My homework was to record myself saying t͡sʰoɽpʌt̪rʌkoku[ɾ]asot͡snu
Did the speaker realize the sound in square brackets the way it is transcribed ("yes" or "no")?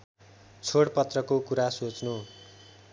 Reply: yes